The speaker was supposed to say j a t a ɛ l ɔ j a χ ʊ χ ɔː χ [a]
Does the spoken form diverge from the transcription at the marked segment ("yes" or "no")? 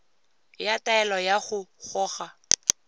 no